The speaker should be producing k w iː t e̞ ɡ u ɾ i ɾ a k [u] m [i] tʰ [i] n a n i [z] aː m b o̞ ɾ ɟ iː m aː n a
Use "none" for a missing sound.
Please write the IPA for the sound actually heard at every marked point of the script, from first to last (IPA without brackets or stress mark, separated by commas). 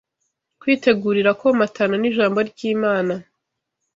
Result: o, a, a, ʒ